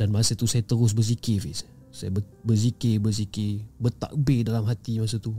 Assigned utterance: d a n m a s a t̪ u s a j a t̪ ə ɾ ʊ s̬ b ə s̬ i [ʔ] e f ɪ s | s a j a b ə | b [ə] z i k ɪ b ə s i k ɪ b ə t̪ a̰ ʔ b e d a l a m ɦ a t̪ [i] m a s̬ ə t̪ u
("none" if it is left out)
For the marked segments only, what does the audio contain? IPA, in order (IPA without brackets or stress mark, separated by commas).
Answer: k, ə, i